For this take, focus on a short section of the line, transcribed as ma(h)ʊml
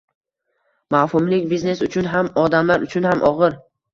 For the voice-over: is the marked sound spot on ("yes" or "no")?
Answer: yes